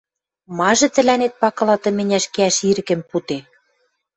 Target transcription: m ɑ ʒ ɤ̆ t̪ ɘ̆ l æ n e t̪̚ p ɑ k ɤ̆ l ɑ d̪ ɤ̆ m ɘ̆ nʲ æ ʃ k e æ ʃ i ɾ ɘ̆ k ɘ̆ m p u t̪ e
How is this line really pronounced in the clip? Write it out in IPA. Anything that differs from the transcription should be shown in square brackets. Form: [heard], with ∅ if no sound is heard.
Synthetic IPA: m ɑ ʒ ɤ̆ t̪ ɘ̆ l æ n e t̪̚ p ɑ k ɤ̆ l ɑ [t̪] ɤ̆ m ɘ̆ nʲ æ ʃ k e æ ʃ i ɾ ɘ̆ k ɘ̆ m p u t̪ e